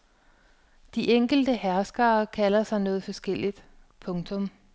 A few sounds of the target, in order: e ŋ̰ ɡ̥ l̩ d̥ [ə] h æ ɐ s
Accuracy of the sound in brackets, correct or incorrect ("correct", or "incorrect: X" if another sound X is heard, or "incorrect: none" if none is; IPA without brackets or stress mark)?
correct